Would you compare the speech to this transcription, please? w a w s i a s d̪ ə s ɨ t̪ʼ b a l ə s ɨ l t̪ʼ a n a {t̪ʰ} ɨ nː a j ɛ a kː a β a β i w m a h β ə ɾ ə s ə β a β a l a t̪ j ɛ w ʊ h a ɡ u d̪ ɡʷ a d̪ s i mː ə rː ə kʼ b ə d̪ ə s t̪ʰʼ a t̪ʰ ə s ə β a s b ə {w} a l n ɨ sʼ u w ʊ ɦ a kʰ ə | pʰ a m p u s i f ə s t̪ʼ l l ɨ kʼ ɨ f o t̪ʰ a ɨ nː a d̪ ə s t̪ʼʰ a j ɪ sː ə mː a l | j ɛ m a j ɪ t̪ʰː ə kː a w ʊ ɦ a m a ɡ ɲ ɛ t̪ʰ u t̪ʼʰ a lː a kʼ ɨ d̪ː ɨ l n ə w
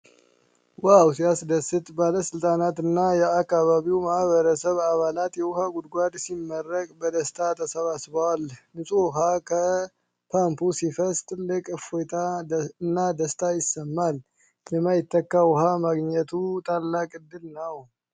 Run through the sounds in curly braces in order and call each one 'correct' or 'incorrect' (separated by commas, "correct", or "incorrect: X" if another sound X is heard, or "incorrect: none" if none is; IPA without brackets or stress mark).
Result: incorrect: t̪, correct